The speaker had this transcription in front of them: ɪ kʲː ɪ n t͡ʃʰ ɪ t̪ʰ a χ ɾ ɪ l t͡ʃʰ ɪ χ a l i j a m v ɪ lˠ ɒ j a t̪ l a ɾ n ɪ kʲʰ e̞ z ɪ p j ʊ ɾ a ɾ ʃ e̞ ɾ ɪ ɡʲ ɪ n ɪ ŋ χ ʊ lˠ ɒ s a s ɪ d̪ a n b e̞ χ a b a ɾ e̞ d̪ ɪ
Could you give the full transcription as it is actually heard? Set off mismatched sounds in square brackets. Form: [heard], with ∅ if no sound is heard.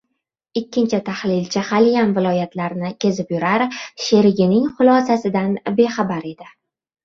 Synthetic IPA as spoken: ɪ kʲː ɪ n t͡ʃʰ ɪ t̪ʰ a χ [l] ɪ l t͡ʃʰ ɪ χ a l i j a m v ɪ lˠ ɒ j a t̪ l a ɾ n ɪ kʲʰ e̞ z ɪ p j ʊ ɾ a ɾ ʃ e̞ ɾ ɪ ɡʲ ɪ n ɪ ŋ χ ʊ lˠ ɒ s a s ɪ d̪ a n b e̞ χ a b a ɾ e̞ d̪ ɪ